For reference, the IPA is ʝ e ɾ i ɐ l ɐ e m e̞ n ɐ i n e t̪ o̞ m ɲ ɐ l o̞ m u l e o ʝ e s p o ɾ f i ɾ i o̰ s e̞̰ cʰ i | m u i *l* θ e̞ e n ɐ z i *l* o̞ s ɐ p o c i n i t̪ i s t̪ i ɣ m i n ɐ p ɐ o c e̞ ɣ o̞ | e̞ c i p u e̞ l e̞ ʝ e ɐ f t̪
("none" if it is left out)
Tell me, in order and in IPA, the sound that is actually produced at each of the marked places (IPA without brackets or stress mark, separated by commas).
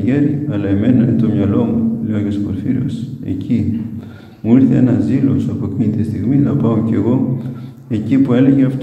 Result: ɾ, l